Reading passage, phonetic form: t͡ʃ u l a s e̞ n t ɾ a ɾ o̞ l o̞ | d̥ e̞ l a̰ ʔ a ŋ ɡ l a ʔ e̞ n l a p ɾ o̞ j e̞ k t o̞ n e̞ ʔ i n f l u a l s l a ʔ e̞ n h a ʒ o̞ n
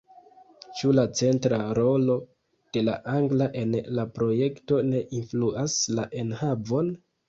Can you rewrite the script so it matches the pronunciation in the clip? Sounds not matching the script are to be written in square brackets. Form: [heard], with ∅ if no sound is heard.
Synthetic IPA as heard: t͡ʃ u l a [t͡s] e̞ n t ɾ a ɾ o̞ l o̞ | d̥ e̞ l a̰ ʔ a ŋ ɡ l a ʔ e̞ n l a p ɾ o̞ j e̞ k t o̞ n e̞ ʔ i n f l u a [∅] s l a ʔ e̞ n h a [v] o̞ n

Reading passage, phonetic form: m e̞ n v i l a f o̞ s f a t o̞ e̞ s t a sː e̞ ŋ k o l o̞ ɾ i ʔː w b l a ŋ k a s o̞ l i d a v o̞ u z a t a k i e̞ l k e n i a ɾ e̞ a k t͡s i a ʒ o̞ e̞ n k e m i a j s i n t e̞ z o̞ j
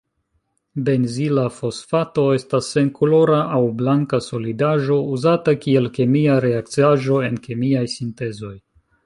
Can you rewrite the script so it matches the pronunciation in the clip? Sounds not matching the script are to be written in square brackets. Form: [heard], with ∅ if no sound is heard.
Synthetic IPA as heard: [b] e̞ n [z] i l a f o̞ s f a t o̞ e̞ s t a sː e̞ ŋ k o l o̞ ɾ [a] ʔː w b l a ŋ k a s o̞ l i d a [ʒ] o̞ u z a t a k i e̞ l k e [m] i a ɾ e̞ a k t͡s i a ʒ o̞ e̞ n k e m i a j s i n t e̞ z o̞ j

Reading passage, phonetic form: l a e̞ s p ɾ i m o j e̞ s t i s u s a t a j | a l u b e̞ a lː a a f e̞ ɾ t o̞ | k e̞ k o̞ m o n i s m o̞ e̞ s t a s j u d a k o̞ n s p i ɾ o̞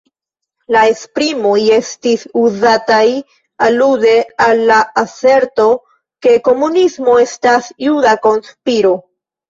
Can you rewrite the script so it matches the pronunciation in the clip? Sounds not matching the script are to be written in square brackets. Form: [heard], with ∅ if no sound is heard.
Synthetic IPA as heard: l a e̞ s p ɾ i m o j e̞ s t i s u [z] a t a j | a l u [d] e̞ a lː a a [s] e̞ ɾ t o̞ | k e̞ k o̞ m [u] n i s m o̞ e̞ s t a s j u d a k o̞ n s p i ɾ o̞

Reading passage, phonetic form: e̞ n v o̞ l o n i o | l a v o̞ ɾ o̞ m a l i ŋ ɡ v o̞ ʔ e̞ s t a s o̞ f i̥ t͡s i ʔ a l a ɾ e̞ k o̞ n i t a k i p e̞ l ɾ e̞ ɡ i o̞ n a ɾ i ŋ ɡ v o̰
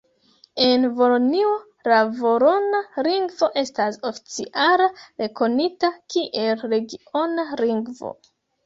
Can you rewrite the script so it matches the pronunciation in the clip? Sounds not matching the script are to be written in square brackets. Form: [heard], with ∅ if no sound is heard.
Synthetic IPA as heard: e̞ n v o̞ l o n i o | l a v o̞ ɾ o̞ [n] a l i ŋ ɡ v o̞ ʔ e̞ s t a s o̞ f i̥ t͡s i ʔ a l a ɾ e̞ k o̞ n i t a k i [ʔ] e̞ l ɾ e̞ ɡ i o̞ n a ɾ i ŋ ɡ v o̰

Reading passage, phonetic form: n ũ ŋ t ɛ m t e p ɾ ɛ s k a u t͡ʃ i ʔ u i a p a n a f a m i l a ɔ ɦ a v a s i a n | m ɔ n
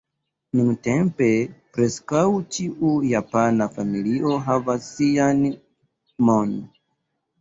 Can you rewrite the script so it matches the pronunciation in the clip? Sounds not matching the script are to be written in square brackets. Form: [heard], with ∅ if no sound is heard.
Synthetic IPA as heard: n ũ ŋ t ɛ m [p] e p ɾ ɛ s k a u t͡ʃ i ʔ u [j] a p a n a f a m i l [i] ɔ ɦ a v a s i a n | m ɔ n

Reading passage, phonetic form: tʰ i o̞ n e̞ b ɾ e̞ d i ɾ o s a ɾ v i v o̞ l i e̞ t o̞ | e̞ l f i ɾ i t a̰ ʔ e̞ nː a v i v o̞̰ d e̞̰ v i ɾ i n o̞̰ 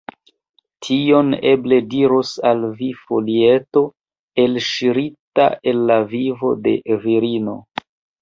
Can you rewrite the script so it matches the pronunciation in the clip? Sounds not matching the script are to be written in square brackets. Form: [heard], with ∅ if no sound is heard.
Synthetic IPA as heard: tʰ i o̞ n e̞ b [l] e̞ d i ɾ o s a [l] v i [f] o̞ l i e̞ t o̞ | e̞ l [ʃ] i ɾ i t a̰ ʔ e̞ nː a v i v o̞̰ d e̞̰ v i ɾ i n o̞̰

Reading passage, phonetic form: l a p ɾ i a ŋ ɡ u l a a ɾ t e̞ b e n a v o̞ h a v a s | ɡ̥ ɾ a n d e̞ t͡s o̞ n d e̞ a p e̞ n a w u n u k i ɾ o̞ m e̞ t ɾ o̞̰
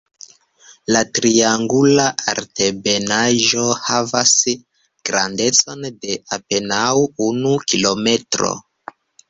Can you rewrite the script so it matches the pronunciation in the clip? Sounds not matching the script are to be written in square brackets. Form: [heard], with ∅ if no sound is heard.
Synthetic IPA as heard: l a [t] ɾ i a ŋ ɡ u l a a ɾ t e̞ b e n a [ʒ] o̞ h a v a s | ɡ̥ ɾ a n d e̞ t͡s o̞ n d e̞ a p e̞ n a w u n u k i [l] o̞ m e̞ t ɾ o̞̰

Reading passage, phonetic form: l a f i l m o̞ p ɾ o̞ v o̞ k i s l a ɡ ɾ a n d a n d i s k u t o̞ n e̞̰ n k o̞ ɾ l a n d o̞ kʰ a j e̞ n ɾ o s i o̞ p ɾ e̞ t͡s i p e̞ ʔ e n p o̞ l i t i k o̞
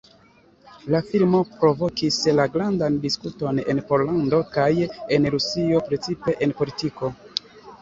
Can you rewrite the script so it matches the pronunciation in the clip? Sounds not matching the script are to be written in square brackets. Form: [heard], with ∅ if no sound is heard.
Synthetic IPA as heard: l a f i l m o̞ p ɾ o̞ v o̞ k i s l a ɡ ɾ a n d a n d i s k u t o̞ n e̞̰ n [p] o̞ ɾ l a n d o̞ [k] a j e̞ n ɾ [u] s i o̞ p ɾ e̞ t͡s i p e̞ ʔ e n p o̞ l i t i k o̞

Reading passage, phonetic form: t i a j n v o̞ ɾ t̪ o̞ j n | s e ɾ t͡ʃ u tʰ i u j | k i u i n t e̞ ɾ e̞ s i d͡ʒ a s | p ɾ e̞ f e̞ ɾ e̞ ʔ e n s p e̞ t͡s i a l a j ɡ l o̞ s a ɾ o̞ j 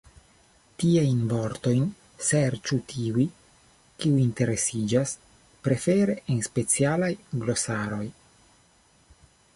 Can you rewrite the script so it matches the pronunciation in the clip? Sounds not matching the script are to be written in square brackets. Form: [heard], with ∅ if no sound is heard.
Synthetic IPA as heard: t i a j n v o̞ ɾ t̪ o̞ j n | s e ɾ t͡ʃ u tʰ i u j | k i u i n t e̞ ɾ e̞ s i d͡ʒ a s | p ɾ e̞ f e̞ ɾ e̞ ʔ e n s p e̞ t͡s i a l a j ɡ l o̞ s a ɾ o̞ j

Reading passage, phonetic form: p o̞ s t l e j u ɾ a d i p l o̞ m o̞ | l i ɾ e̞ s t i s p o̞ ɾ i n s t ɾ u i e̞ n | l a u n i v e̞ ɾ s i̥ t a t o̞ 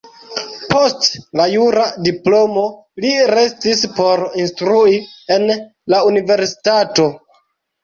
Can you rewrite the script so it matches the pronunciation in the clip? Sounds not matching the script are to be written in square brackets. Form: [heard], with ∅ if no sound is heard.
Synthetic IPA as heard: p o̞ s t l [a] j u ɾ a d i p l o̞ m o̞ | l i ɾ e̞ s t i s p o̞ ɾ i n s t ɾ u i e̞ n | l a u n i v e̞ ɾ s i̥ t a t o̞

